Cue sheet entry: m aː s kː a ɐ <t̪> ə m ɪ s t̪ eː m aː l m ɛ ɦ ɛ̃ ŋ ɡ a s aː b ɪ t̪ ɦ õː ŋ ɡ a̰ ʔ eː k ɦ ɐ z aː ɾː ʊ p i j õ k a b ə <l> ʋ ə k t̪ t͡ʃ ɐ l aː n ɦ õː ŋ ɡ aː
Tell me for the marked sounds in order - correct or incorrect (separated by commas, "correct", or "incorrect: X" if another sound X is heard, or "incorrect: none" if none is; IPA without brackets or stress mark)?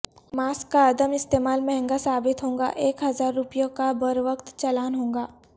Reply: incorrect: d̪, incorrect: ɾ